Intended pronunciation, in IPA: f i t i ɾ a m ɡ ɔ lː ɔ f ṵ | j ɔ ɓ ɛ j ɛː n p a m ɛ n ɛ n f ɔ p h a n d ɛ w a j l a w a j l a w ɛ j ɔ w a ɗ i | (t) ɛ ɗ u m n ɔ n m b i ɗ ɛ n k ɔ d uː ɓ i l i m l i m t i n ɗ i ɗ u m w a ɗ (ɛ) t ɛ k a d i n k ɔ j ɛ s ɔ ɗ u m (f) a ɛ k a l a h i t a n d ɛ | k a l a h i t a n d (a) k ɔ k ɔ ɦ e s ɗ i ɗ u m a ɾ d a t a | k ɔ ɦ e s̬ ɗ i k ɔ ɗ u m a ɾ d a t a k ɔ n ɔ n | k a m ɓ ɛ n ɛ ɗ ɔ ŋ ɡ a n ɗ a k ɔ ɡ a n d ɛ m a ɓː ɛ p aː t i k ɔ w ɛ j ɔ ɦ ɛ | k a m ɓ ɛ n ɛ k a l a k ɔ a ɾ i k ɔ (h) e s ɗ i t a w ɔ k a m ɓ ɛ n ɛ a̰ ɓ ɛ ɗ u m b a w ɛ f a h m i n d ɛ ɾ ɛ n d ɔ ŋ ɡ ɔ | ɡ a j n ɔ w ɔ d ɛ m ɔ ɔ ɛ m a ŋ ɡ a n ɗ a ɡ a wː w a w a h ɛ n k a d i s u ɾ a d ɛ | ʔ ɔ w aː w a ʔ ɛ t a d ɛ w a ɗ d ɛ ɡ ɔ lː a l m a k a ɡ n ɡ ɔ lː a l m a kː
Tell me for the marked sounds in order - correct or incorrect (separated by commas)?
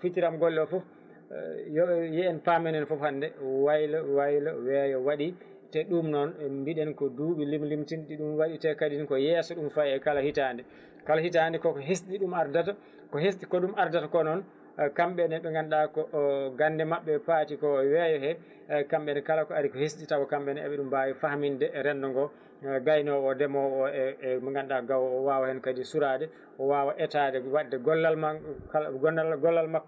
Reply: correct, incorrect, correct, incorrect, correct